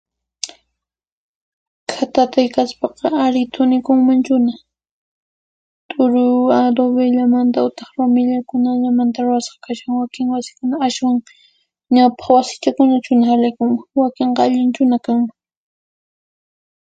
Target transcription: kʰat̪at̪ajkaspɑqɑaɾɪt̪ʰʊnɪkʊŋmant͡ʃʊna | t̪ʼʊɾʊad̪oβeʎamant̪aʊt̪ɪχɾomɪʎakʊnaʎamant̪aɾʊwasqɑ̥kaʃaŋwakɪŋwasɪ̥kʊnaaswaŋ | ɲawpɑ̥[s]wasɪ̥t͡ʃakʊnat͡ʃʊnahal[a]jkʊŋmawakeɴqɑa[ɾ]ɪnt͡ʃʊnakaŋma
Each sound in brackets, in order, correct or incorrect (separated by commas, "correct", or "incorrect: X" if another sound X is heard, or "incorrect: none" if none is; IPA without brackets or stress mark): incorrect: χ, correct, incorrect: ʎ